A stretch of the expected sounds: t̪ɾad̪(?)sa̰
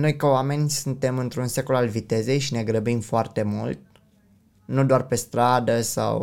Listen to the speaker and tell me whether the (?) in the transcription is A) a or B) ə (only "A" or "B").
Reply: B